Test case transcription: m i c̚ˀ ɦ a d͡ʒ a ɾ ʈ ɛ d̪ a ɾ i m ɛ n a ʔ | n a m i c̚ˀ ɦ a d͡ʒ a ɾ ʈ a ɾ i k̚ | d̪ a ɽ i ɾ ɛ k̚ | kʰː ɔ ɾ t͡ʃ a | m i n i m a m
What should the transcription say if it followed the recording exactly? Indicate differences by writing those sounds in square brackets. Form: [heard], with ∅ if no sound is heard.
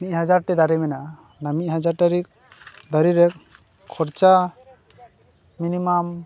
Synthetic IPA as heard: m i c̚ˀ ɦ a d͡ʒ a ɾ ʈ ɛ d̪ a ɾ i m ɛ n a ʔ | n a m i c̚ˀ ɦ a d͡ʒ a ɾ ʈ a ɾ i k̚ | d̪ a [ɾ] i ɾ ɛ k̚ | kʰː ɔ ɾ t͡ʃ a | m i n i m a m